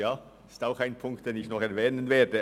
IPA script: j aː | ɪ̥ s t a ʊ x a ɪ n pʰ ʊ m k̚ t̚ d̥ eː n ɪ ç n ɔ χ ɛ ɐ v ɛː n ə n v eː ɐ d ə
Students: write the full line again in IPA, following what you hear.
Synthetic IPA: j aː | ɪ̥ s t a ʊ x a ɪ n pʰ ʊ ŋ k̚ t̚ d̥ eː n ɪ ç n ɔ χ ɛ ɐ v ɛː n ə n v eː ɐ d ə